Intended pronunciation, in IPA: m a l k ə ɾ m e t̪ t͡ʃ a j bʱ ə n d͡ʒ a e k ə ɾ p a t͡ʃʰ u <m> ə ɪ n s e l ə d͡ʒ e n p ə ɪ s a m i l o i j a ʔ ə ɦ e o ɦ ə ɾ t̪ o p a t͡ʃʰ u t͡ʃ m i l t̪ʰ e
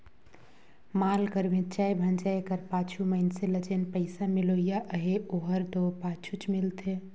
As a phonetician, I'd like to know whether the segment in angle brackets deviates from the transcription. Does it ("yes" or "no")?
no